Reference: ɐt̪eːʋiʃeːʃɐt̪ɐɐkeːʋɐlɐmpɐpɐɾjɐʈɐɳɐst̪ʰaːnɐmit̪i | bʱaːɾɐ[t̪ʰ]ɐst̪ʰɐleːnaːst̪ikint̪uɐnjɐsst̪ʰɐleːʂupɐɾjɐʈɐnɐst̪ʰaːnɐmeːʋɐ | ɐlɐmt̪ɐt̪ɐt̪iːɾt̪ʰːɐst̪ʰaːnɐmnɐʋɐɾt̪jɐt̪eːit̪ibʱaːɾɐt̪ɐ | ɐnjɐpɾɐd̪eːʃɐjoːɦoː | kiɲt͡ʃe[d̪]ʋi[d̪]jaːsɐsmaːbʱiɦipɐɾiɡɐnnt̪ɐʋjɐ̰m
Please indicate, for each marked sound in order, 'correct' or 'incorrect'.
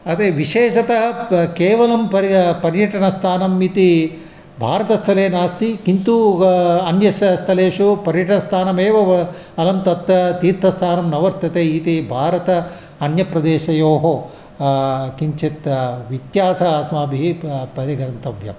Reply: incorrect, incorrect, incorrect

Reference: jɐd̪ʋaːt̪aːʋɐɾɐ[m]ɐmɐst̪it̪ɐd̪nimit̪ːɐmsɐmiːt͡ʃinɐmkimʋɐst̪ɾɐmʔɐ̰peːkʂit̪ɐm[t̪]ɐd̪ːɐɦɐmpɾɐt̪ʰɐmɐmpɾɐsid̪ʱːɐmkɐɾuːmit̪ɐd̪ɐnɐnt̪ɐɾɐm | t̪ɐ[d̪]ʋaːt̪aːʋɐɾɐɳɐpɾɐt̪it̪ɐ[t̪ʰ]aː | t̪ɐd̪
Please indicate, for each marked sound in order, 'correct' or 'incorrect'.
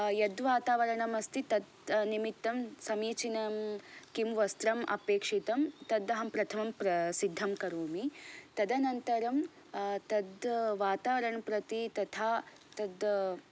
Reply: incorrect, correct, correct, correct

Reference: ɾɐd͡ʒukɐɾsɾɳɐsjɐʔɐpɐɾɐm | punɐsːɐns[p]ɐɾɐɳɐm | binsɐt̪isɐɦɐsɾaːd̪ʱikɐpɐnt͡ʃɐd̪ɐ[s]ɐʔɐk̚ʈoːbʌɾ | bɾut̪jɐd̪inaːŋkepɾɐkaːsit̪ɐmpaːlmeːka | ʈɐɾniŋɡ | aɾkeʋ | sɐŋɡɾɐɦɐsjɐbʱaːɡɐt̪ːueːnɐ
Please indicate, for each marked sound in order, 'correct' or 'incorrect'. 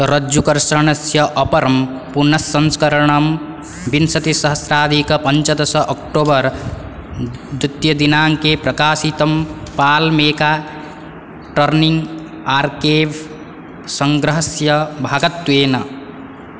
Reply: incorrect, correct

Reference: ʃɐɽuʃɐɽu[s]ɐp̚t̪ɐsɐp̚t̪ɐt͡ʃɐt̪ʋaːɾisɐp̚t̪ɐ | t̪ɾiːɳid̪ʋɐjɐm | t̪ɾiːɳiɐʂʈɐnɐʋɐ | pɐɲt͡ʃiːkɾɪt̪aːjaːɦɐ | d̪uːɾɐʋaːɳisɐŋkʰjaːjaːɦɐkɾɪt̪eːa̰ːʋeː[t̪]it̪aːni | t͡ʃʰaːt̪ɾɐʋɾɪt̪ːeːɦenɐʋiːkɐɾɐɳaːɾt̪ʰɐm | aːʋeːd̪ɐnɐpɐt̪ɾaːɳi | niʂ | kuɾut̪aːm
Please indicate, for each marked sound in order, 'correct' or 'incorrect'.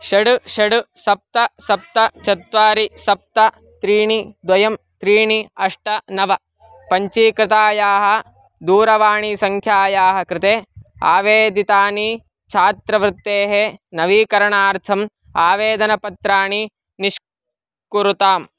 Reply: correct, incorrect

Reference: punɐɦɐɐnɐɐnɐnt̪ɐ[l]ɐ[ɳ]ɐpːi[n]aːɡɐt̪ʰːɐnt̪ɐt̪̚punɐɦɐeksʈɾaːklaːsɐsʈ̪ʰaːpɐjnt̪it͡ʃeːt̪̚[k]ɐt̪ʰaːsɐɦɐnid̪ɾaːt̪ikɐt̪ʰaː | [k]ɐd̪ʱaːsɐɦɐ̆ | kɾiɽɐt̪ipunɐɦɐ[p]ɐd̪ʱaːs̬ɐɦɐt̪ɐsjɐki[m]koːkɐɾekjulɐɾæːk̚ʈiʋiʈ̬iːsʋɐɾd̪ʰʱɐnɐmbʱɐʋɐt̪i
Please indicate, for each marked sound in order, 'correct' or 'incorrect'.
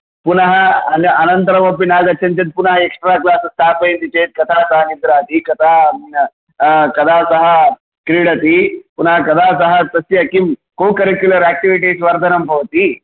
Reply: incorrect, incorrect, correct, correct, correct, incorrect, correct

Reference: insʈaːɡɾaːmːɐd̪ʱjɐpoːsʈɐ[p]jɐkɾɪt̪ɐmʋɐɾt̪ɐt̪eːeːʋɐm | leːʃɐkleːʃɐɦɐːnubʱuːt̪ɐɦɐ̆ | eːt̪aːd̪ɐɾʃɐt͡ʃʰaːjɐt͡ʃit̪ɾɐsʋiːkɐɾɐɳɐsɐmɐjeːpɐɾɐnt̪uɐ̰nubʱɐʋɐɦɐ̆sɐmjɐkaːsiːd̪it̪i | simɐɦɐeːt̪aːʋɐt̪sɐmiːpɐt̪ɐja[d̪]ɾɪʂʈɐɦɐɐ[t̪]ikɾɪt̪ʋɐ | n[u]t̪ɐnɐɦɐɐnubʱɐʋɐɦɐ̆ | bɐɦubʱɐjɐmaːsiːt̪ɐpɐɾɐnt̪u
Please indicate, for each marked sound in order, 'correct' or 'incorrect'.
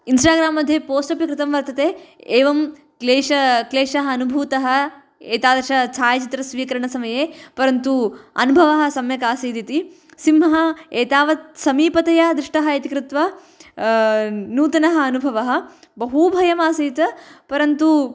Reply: correct, correct, correct, incorrect

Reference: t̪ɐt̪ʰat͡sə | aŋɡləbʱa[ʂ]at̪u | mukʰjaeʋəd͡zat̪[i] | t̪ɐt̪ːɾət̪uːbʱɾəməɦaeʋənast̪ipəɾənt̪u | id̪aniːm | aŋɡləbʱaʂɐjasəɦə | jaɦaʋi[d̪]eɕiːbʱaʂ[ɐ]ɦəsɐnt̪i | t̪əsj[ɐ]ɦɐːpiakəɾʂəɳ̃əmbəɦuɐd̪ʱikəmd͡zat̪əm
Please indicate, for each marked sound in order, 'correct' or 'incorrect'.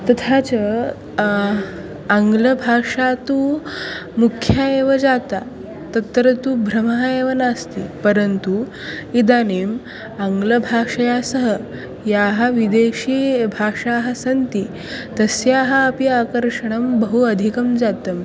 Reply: correct, incorrect, correct, incorrect, incorrect

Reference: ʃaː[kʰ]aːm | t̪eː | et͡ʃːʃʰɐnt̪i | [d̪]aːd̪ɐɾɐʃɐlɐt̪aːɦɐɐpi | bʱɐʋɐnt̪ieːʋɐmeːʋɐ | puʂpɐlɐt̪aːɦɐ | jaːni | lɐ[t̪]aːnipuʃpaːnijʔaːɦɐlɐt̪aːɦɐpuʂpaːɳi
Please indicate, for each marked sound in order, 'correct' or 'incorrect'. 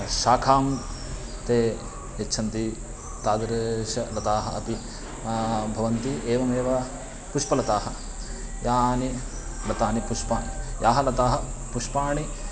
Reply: correct, incorrect, correct

